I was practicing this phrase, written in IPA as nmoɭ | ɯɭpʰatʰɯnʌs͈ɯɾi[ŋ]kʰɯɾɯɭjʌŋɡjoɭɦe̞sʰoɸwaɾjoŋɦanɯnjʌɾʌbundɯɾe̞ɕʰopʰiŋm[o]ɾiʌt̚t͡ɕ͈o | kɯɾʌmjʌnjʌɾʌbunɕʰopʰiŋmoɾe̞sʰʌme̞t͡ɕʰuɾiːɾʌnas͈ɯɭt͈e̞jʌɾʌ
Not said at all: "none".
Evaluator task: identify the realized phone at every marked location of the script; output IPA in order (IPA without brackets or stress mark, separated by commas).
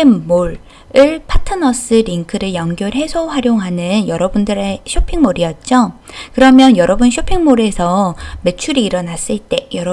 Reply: ŋ, o